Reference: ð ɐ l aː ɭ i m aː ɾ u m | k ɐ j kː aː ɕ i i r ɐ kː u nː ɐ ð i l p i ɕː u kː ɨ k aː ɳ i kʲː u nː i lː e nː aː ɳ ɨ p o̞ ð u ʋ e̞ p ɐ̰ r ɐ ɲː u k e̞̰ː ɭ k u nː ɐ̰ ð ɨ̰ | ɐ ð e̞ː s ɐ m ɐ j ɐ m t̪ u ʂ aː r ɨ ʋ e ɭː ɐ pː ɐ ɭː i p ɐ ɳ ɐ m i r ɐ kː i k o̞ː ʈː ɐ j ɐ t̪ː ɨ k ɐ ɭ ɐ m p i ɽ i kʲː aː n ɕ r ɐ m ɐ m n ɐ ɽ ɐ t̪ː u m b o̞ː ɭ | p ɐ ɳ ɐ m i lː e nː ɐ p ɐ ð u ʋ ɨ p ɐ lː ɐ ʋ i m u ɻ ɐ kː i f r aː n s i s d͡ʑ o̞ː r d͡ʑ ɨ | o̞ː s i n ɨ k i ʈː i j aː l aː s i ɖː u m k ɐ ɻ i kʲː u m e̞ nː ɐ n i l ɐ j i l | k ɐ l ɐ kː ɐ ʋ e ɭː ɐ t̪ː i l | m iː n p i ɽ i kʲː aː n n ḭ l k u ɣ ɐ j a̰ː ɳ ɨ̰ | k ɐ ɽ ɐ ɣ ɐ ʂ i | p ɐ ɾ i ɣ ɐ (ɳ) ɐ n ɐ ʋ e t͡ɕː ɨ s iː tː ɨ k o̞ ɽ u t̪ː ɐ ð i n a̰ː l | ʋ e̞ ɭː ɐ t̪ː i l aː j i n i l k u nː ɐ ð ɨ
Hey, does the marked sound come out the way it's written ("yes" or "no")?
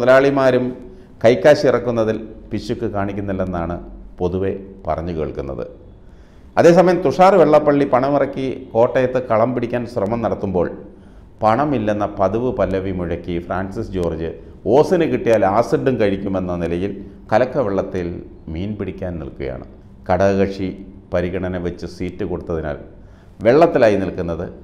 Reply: yes